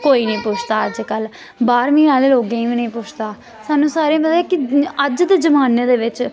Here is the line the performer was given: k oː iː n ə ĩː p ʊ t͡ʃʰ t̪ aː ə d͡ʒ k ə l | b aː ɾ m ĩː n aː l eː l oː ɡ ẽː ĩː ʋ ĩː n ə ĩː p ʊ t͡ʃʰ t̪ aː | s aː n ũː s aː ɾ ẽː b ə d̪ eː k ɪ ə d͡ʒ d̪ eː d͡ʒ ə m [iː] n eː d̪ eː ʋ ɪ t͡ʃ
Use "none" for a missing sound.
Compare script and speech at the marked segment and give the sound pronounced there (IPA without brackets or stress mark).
aː